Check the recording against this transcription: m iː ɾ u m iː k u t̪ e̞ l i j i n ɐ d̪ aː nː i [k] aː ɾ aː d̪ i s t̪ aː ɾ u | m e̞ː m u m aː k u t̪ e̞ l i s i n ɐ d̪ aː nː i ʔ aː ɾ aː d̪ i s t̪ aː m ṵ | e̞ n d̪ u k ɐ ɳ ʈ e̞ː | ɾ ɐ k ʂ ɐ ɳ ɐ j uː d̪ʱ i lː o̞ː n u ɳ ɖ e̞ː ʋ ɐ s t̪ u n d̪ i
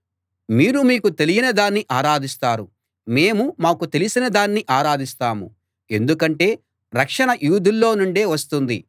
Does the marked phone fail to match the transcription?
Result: yes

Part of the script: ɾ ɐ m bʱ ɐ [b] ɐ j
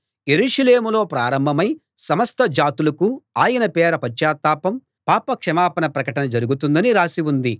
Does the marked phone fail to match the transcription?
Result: yes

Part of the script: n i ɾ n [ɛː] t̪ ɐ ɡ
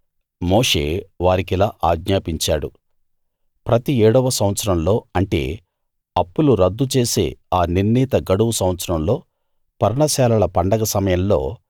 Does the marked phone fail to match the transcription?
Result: yes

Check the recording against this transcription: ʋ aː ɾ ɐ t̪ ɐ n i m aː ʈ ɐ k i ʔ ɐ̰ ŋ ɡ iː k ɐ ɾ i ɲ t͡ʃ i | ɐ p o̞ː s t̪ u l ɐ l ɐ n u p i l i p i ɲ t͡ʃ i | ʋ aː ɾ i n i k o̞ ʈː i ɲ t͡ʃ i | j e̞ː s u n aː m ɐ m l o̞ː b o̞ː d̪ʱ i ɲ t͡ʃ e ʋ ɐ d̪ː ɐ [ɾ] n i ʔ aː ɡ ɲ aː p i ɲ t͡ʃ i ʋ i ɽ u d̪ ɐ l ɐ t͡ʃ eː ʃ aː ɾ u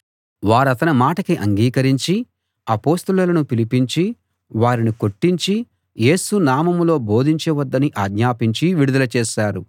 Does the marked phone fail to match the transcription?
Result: yes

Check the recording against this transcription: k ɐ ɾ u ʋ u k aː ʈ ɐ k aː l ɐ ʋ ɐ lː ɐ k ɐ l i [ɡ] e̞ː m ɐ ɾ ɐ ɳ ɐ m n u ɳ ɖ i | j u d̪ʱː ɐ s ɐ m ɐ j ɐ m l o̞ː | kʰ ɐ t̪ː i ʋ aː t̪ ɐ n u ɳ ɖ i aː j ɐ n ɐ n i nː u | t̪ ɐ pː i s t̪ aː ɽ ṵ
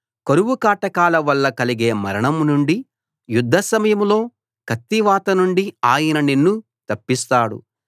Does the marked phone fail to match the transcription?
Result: no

